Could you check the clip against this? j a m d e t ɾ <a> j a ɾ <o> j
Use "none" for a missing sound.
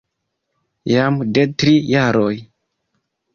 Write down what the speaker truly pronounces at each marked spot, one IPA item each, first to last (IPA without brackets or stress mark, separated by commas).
i, o